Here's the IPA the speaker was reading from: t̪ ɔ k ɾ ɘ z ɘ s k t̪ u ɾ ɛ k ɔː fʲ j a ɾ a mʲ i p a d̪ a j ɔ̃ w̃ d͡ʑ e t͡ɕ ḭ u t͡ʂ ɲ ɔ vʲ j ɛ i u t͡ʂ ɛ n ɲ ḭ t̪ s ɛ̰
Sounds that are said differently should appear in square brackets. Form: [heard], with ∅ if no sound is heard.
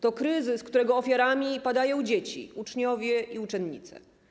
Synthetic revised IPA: t̪ ɔ k ɾ ɘ z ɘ s k t̪ u ɾ ɛ [ɡ] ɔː fʲ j a ɾ a mʲ i p a d̪ a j ɔ̃ w̃ d͡ʑ e t͡ɕ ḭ u t͡ʂ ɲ ɔ vʲ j ɛ i u t͡ʂ ɛ n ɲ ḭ t̪ s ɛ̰